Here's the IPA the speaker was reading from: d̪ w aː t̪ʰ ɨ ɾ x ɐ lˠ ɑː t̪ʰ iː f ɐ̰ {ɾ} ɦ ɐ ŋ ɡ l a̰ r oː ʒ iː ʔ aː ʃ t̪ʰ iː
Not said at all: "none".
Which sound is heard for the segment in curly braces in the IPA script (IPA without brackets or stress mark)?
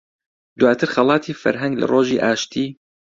ɾ